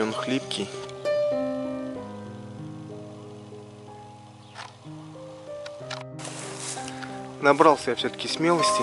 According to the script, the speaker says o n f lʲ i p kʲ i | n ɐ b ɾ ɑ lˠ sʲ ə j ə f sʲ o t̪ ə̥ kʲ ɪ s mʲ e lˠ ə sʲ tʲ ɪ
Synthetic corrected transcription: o n x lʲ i p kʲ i | n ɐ b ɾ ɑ lˠ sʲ ə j a f sʲ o t̪ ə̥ kʲ ɪ s mʲ e lˠ ə sʲ tʲ ɪ